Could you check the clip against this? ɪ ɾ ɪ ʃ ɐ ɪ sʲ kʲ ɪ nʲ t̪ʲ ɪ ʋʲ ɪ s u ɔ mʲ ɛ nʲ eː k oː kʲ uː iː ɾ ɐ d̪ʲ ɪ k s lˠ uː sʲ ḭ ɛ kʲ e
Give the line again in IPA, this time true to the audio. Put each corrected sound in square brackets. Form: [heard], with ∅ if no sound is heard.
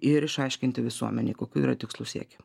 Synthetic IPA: ɪ ɾ ɪ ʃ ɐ ɪ [ʃʲ] kʲ ɪ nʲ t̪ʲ ɪ ʋʲ ɪ s u ɔ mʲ ɛ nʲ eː k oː kʲ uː iː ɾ ɐ [t̪ʲ] ɪ k s lˠ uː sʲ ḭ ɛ kʲ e